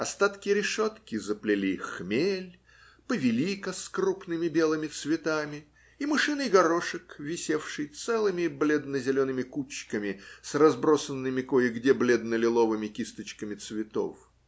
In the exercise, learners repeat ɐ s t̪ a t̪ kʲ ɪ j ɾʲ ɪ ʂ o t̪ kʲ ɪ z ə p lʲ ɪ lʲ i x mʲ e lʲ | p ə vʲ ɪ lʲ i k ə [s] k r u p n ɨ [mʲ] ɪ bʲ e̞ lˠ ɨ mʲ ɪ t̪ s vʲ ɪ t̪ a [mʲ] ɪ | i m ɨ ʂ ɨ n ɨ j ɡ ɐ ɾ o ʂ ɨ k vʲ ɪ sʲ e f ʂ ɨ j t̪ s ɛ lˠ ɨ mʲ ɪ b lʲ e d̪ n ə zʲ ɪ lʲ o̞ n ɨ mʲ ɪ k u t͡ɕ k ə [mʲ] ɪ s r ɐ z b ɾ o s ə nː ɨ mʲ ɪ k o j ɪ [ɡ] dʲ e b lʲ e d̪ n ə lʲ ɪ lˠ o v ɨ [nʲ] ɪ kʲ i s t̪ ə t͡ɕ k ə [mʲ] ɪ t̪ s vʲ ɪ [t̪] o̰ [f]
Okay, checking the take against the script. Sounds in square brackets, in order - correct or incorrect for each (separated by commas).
correct, correct, correct, correct, correct, incorrect, correct, correct, correct